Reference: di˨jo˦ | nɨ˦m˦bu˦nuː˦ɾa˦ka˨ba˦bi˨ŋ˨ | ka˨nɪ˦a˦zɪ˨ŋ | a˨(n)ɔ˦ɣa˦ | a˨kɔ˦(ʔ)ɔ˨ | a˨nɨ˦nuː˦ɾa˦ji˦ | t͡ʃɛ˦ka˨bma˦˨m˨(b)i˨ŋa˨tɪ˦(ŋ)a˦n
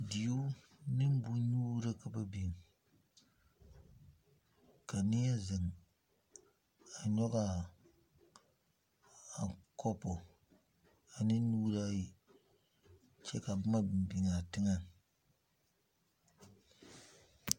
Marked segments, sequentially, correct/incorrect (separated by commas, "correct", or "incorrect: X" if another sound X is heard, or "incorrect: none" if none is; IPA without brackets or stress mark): incorrect: ɲ, incorrect: p, correct, correct